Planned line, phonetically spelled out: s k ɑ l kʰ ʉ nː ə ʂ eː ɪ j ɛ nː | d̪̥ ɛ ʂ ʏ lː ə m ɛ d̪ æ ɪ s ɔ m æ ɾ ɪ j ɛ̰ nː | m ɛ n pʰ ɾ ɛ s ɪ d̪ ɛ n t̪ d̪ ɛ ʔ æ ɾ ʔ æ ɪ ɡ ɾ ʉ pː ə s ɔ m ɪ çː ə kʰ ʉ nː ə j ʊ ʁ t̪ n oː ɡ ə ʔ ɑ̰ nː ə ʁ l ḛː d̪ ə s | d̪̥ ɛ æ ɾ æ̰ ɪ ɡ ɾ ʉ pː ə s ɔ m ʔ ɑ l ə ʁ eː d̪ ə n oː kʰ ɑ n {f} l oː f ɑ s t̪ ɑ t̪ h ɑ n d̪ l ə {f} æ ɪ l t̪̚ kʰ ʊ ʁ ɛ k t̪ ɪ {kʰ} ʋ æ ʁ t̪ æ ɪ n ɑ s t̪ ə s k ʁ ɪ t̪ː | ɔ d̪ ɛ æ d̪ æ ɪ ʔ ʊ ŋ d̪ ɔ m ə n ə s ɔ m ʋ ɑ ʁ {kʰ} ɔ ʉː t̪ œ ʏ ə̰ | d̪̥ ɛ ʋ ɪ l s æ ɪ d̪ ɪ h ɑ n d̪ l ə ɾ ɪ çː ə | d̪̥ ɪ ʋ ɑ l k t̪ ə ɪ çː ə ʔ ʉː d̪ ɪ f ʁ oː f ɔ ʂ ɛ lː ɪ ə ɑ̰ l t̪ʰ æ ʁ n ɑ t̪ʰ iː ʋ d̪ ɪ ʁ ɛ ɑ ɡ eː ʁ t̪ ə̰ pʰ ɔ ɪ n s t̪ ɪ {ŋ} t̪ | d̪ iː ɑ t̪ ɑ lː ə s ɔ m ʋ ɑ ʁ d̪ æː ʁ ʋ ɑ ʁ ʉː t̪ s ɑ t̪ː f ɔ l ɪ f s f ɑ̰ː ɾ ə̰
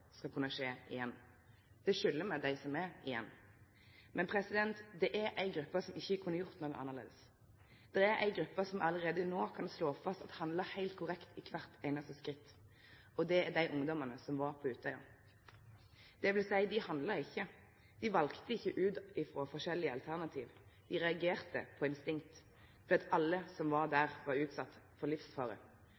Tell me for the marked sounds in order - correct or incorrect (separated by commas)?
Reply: incorrect, incorrect, correct, incorrect, correct